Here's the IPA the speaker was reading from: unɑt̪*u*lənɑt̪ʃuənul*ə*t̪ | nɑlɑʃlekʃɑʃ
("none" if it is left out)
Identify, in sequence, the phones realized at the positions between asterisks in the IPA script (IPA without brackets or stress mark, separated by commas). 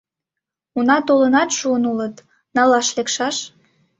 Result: o, ə